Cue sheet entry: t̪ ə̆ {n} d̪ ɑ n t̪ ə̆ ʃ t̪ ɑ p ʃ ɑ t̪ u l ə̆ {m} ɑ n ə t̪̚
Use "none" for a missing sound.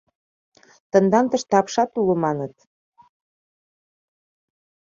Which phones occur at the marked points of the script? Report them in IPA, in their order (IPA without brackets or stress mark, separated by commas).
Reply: n, m